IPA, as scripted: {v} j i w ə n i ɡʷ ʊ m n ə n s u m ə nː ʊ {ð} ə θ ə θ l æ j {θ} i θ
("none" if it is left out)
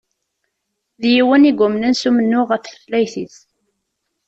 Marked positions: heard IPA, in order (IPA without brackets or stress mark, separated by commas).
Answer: ð, ʁ, θ